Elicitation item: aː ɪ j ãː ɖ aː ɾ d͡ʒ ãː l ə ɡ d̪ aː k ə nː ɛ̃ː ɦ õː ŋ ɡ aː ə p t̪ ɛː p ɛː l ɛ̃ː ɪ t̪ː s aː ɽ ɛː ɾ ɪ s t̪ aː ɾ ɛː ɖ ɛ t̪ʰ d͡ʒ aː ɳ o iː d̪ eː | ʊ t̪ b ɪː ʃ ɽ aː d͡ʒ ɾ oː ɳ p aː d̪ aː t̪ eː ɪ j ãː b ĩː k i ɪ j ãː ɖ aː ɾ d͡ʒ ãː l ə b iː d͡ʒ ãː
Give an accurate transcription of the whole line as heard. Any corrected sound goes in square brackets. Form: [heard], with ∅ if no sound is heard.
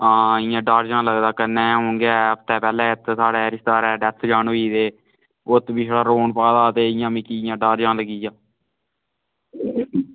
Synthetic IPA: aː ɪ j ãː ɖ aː ɾ d͡ʒ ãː l ə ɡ d̪ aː k ə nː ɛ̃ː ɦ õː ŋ ɡ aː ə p t̪ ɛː p ɛː l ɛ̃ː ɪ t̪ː s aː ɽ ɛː ɾ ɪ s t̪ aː ɾ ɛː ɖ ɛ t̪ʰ d͡ʒ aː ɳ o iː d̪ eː | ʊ t̪ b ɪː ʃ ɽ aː [∅] ɾ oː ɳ p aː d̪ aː t̪ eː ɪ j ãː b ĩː k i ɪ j ãː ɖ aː ɾ d͡ʒ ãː l ə [ɡ] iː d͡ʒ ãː